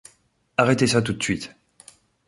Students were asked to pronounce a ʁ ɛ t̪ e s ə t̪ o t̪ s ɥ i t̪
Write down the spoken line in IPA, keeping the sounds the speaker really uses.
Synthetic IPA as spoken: a ʁ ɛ t̪ e s a t̪ u t̪ s ɥ i t̪